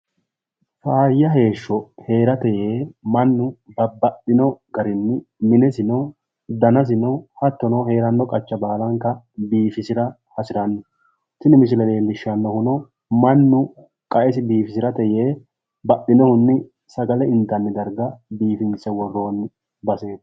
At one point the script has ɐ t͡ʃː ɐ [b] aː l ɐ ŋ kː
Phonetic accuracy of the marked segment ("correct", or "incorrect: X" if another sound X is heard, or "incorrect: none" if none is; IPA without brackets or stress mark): correct